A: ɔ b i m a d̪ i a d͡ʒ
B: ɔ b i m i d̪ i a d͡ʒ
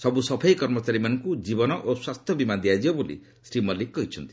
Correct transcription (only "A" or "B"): A